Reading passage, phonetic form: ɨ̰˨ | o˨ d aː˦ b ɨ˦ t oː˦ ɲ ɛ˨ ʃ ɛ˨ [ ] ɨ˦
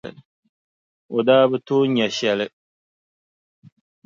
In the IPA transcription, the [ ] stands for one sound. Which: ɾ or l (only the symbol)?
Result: l